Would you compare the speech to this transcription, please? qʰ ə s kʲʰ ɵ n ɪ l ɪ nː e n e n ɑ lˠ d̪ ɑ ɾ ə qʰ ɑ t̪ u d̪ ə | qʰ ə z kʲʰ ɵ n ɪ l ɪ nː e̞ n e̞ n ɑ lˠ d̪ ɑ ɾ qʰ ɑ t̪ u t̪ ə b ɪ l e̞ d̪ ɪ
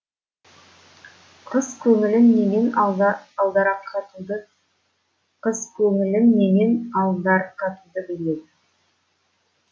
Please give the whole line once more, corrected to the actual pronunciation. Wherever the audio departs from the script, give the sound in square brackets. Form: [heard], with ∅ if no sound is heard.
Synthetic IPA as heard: qʰ ə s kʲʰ ɵ [ŋ] ɪ l ɪ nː e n e n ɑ lˠ d̪ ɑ ɾ [ɑ] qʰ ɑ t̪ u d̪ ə | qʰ ə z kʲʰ ɵ [ŋ] ɪ l ɪ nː e̞ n e̞ n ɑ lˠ d̪ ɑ ɾ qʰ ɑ t̪ u [d̪] ə b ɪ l e̞ d̪ ɪ